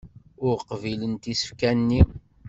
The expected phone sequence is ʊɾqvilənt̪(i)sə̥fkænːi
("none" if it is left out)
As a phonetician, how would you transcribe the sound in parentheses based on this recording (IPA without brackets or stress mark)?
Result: i